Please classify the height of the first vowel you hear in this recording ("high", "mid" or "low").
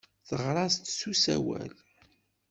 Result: mid